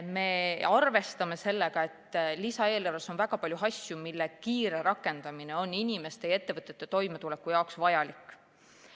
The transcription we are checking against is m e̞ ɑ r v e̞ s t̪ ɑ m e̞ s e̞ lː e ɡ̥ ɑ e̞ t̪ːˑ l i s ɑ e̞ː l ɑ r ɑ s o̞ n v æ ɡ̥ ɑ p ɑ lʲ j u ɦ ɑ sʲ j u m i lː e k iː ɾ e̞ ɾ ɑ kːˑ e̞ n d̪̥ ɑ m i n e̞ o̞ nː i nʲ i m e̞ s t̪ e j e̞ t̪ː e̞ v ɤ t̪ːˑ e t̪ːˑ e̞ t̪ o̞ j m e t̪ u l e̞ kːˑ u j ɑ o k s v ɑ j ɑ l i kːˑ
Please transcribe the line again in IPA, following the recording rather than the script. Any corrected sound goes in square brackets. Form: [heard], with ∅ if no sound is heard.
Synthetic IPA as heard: m e̞ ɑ r v e̞ s t̪ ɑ m e̞ s e̞ lː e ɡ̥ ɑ e̞ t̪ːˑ l i s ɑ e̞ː l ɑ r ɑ s o̞ n v æ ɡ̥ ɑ p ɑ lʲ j u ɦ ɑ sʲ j u m i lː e k iː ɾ e̞ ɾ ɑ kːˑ e̞ n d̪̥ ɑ m i n e̞ o̞ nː i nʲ i m e̞ s t̪ e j e̞ t̪ː e̞ v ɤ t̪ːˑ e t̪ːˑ e̞ t̪ o̞ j m e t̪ u l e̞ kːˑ u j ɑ o k s v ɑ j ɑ l i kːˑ